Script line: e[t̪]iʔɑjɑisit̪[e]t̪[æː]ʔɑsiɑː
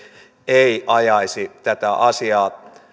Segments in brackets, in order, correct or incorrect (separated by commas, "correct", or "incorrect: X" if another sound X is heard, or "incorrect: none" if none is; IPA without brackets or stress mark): incorrect: none, incorrect: æ, incorrect: æ